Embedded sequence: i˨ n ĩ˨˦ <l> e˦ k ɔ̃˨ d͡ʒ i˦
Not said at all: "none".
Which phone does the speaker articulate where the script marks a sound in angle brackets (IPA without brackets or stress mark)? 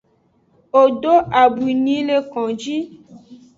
l